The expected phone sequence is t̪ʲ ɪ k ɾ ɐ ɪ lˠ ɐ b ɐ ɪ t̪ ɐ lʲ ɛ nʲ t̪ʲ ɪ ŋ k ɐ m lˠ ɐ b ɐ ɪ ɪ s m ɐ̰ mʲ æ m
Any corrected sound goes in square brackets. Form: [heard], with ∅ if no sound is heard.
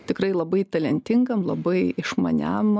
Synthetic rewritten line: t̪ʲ ɪ k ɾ ɐ ɪ lˠ ɐ b ɐ ɪ t̪ ɐ lʲ ɛ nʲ t̪ʲ ɪ ŋ [ɡ] ɐ m lˠ ɐ b ɐ ɪ ɪ [ʃ] m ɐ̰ [nʲ] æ m